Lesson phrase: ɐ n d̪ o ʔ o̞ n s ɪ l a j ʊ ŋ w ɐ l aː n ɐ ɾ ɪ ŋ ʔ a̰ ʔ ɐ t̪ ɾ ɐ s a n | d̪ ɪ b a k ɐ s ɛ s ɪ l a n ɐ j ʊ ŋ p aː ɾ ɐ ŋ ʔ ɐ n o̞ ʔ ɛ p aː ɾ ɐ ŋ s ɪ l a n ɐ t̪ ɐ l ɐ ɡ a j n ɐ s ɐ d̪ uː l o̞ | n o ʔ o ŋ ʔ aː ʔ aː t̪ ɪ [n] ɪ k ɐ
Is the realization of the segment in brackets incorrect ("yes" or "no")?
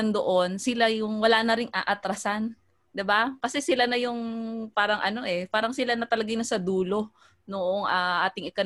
yes